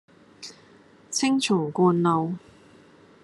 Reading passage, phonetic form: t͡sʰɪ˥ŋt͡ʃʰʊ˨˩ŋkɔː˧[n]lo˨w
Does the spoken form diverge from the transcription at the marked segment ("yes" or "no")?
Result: no